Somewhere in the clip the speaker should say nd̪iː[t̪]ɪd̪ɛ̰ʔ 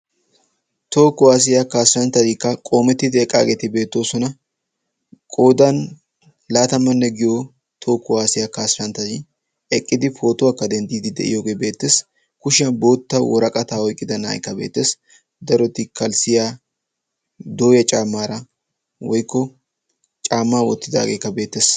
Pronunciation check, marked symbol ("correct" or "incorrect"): incorrect